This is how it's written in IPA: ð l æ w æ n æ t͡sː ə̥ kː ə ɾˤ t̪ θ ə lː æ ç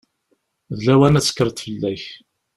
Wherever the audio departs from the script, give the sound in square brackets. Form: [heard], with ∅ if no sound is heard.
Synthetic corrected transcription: ð l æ w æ n æ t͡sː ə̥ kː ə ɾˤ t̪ [f] ə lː æ ç